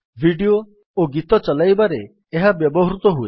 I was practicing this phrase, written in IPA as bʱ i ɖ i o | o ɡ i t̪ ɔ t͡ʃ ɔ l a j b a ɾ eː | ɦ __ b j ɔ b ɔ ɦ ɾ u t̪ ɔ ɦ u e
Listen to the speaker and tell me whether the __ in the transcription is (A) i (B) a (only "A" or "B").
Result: B